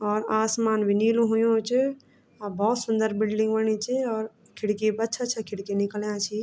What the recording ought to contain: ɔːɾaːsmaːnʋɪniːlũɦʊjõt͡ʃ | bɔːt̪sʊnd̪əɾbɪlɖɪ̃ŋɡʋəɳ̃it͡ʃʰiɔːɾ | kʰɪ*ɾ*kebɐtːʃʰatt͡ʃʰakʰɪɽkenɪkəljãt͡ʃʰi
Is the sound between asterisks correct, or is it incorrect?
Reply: incorrect